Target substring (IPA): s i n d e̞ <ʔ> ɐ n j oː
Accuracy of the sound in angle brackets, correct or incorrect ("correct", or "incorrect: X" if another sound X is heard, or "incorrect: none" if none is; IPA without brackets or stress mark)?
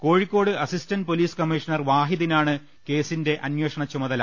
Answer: correct